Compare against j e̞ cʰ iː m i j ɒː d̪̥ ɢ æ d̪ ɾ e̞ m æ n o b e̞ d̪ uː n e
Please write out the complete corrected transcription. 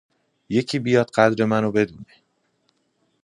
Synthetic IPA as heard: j e̞ cʰ iː b i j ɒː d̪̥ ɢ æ d̪ ɾ e̞ m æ n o b e̞ d̪ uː n e